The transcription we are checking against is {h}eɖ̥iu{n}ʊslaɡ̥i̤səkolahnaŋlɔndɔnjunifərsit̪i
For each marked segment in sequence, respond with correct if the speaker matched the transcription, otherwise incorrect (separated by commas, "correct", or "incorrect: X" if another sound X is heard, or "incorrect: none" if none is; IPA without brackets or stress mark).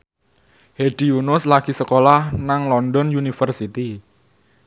correct, correct